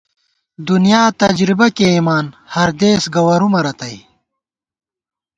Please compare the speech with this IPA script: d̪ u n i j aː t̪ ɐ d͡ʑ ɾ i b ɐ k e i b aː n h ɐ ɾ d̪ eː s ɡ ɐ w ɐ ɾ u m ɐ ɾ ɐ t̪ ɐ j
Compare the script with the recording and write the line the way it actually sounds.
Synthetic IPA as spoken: d̪ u n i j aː t̪ ɐ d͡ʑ ɾ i b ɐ k e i m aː n h ɐ ɾ d̪ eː s ɡ ɐ w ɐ ɾ u m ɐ ɾ ɐ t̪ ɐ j